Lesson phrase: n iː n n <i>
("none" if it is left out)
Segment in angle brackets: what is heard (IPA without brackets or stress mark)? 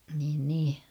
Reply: iː